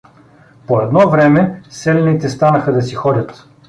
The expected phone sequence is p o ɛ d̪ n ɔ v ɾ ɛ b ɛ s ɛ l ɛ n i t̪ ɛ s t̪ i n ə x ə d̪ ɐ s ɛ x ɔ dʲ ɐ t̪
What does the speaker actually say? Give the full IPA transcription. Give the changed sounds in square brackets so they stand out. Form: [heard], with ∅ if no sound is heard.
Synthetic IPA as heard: p o ɛ d̪ n ɔ v ɾ ɛ [m] ɛ s ɛ l ɛ n i t̪ ɛ s t̪ [a] n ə x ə d̪ ɐ s [i] x ɔ dʲ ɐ t̪